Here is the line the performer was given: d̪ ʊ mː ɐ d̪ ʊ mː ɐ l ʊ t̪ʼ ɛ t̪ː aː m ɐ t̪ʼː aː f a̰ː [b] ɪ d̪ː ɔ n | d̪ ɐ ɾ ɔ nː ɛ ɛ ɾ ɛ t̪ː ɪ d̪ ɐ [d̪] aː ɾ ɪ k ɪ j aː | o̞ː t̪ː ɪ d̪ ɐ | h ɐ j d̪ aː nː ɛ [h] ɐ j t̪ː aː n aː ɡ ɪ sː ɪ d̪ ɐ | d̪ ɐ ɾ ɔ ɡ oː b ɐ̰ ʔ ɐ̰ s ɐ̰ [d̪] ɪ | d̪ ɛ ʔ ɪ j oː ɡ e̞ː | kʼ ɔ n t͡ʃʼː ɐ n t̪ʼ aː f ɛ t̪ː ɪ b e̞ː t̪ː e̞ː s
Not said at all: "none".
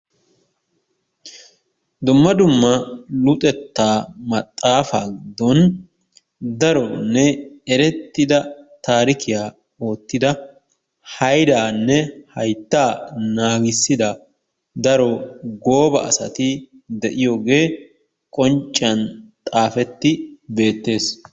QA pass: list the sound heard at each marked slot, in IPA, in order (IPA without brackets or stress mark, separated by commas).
ɡ, t̪, h, t̪